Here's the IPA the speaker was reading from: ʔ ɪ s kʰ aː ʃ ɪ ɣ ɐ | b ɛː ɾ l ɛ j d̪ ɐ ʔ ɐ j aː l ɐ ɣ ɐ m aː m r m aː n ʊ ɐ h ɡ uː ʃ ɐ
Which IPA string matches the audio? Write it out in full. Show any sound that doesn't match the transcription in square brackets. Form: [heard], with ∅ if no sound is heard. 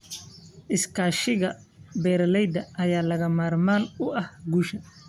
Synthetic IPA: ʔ ɪ s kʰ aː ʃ ɪ ɣ ɐ | b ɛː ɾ l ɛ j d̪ ɐ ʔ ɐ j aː l ɐ ɣ ɐ m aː [∅] r m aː n ʊ ɐ h ɡ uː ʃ ɐ